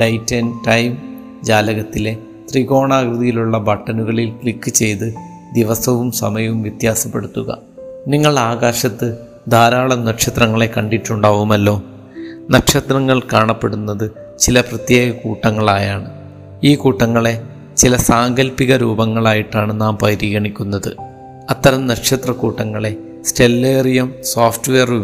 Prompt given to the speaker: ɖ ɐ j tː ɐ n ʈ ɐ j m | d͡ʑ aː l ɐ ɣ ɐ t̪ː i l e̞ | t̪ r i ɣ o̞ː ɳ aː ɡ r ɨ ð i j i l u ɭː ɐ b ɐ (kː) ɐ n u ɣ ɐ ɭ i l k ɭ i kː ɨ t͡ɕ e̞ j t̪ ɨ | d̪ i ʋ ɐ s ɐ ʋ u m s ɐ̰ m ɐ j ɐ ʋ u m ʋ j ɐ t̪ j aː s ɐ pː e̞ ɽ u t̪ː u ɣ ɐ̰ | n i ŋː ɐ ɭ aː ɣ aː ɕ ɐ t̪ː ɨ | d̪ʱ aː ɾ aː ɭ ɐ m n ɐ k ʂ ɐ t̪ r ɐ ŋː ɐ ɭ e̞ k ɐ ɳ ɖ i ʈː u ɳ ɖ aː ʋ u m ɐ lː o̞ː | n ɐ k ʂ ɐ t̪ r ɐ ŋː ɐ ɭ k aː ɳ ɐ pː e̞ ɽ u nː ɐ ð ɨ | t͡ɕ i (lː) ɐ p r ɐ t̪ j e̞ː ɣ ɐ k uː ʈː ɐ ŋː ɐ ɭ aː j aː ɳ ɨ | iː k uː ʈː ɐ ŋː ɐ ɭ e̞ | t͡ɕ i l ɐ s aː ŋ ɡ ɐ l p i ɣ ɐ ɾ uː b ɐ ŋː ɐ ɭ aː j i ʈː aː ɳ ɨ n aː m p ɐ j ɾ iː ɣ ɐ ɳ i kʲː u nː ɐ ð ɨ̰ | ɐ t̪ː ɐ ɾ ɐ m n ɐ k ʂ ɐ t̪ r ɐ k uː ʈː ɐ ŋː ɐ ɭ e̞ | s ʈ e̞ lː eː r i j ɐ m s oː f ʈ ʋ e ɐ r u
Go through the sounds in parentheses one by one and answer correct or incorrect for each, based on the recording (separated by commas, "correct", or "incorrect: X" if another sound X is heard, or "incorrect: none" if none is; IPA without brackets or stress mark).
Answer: incorrect: ʈː, incorrect: l